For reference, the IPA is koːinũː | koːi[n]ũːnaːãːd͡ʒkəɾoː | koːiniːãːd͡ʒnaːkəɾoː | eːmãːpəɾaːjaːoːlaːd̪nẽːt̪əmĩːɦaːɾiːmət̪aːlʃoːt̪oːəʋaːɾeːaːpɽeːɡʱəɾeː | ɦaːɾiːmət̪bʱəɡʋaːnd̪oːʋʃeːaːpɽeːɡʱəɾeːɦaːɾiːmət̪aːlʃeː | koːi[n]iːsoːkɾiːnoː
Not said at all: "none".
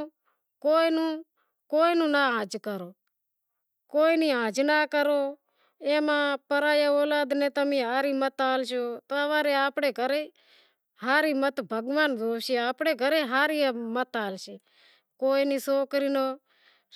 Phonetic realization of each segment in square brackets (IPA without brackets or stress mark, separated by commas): n, n